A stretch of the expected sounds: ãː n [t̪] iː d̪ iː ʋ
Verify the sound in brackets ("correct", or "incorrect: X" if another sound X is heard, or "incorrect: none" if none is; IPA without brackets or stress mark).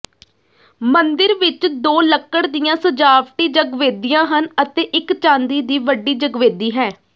incorrect: d̪